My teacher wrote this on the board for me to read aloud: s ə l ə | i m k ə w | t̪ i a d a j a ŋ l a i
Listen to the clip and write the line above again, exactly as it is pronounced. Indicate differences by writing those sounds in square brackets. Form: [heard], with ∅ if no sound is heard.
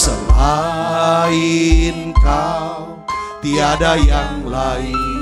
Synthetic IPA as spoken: s ə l [a] | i [n] k [a] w | t̪ i a d a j a ŋ l a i